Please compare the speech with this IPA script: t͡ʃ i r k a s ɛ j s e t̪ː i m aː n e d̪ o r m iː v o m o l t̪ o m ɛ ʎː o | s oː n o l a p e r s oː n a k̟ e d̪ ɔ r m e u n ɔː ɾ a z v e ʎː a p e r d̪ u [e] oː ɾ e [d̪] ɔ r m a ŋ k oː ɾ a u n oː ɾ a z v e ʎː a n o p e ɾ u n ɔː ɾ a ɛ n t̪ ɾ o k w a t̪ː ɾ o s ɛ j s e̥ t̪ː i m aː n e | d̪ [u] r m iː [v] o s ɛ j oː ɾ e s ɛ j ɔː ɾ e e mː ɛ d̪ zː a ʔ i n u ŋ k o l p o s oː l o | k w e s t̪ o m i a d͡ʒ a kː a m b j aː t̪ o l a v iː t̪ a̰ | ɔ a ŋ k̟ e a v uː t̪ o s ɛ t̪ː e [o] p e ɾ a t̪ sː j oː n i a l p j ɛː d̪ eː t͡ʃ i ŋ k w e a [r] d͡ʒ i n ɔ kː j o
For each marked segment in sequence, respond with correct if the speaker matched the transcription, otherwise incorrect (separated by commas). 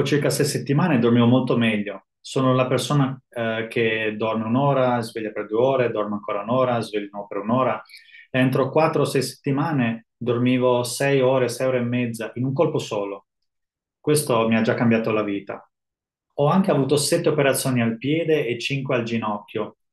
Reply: correct, correct, incorrect, correct, correct, incorrect